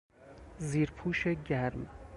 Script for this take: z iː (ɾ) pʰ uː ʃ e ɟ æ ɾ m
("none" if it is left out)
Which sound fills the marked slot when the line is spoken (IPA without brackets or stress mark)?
ɾ